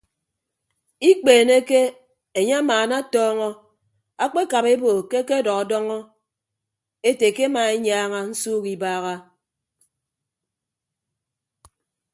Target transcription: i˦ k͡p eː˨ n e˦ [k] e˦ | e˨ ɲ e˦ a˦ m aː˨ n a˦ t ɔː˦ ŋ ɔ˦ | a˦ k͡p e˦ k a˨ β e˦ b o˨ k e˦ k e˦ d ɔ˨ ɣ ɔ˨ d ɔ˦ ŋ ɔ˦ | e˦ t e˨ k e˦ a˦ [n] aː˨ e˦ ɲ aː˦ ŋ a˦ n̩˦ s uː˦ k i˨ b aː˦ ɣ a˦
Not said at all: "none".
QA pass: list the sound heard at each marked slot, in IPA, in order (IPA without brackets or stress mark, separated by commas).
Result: k, m